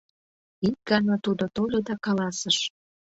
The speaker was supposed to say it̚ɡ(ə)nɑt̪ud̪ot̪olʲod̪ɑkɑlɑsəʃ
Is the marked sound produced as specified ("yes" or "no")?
no